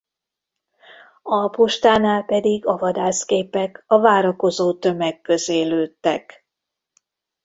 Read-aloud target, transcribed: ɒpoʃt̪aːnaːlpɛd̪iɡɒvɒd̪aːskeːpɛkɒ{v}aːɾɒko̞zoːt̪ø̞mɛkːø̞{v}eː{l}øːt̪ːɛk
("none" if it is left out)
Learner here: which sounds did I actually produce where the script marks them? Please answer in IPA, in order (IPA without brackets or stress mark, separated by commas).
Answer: v, z, l